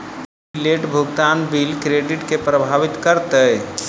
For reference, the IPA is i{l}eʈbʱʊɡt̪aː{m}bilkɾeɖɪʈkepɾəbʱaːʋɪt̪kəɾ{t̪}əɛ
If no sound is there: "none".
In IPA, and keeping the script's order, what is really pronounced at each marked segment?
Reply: l, n, t̪

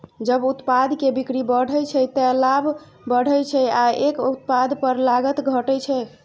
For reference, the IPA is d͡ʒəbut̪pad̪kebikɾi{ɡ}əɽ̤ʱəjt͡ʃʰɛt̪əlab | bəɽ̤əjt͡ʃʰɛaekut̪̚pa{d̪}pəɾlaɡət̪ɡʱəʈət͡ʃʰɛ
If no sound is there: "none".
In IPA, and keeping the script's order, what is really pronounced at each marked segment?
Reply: b, d̪

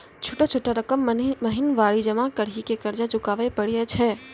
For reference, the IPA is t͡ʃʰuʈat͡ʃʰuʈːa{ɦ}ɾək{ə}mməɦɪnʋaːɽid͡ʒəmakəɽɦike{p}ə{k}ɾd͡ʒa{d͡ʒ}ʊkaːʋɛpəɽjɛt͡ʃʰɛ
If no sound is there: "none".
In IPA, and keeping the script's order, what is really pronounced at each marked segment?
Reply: none, ə, k, none, d͡ʒ

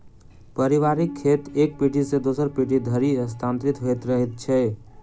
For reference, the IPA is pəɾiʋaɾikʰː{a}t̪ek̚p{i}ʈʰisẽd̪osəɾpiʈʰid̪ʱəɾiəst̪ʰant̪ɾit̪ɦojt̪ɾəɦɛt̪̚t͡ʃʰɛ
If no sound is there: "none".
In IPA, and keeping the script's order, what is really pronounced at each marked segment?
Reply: e, i

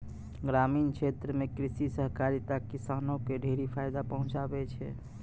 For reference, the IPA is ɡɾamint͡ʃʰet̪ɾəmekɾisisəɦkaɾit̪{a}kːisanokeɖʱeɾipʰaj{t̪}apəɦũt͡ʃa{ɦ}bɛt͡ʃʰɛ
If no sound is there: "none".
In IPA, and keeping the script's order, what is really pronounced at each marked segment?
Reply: a, d̪, none

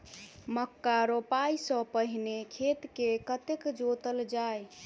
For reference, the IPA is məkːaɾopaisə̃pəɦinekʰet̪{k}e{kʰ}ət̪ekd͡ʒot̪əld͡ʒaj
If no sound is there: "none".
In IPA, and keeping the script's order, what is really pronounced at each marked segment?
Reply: k, k

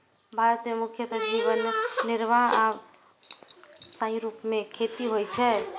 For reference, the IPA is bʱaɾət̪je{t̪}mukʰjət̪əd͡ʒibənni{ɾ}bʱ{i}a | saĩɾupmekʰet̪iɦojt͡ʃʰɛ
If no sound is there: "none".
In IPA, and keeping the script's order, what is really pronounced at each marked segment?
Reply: none, ɾ, a

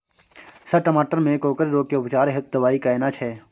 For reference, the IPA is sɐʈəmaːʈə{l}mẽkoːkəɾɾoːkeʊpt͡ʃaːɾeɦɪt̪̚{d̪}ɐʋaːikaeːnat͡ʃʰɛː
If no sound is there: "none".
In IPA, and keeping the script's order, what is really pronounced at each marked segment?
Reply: ɾ, d̪

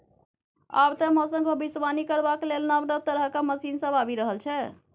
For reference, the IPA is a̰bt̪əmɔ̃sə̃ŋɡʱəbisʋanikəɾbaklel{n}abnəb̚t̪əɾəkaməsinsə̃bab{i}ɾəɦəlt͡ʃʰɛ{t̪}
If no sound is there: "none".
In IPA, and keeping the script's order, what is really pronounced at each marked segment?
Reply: n, i, none

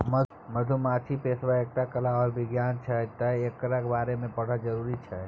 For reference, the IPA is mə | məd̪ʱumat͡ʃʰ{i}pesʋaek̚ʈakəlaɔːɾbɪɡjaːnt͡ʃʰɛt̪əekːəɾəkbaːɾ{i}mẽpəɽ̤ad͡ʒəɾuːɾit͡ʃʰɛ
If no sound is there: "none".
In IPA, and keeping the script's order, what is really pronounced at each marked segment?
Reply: i, e

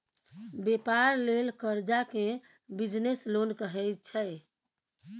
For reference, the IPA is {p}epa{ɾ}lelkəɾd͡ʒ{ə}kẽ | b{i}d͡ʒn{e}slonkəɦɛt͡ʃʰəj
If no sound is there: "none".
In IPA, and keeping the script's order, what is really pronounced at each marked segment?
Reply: b, ɾ, a, i, e

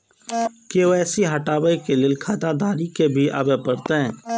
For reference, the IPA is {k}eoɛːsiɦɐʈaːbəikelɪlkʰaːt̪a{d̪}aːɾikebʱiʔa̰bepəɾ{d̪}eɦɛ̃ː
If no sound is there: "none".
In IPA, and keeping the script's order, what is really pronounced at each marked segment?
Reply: k, d̪, t̪

